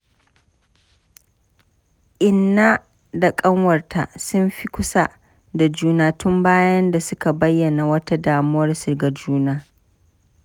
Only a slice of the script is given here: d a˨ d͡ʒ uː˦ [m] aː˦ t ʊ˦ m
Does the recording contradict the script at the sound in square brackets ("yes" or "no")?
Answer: yes